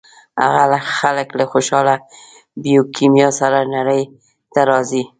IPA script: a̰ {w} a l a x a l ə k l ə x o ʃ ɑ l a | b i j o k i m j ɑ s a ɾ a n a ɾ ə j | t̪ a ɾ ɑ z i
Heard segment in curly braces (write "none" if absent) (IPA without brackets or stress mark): ɣ